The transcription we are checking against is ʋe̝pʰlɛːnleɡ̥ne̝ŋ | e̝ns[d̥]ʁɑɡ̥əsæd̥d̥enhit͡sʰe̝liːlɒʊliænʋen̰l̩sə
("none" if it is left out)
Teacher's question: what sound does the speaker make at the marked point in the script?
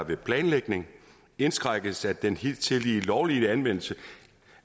ɡ̥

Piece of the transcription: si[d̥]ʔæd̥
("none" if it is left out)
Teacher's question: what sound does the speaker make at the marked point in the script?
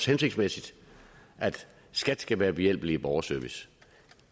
d̥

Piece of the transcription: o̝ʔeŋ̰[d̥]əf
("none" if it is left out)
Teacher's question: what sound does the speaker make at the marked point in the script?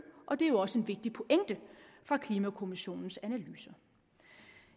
d̥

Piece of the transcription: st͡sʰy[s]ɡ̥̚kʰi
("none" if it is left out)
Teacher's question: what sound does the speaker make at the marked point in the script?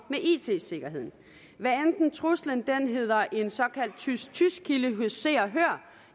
s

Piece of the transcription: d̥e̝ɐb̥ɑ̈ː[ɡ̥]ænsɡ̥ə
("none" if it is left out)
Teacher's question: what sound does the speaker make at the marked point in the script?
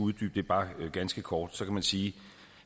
ɡ̥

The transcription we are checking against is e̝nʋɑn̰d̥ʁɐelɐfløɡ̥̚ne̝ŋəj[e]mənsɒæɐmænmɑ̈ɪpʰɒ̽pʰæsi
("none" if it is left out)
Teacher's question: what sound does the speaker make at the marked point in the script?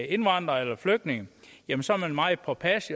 æ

